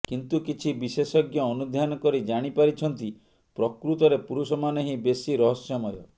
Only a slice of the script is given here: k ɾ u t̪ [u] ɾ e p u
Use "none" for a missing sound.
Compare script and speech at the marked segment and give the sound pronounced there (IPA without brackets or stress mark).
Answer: ɔ